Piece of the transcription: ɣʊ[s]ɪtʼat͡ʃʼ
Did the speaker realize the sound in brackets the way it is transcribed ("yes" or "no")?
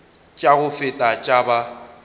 no